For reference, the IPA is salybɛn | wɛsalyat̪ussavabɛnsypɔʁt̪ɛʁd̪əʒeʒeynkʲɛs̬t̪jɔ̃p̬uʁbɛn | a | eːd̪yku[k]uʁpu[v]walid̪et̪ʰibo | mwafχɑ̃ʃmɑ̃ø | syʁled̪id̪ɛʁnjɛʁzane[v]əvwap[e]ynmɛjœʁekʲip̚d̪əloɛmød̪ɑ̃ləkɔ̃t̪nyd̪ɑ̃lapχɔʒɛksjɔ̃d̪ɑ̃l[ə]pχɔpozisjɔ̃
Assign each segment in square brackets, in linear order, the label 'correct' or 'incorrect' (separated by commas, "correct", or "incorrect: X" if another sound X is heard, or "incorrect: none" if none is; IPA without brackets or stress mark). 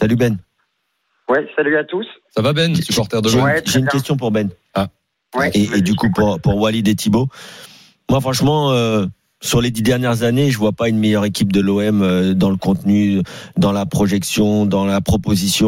incorrect: p, incorrect: ʁ, incorrect: ʒ, incorrect: a, incorrect: a